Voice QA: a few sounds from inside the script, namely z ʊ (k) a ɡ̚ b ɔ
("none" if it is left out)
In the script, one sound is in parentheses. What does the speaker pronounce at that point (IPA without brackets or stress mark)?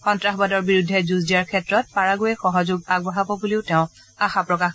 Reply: ɡ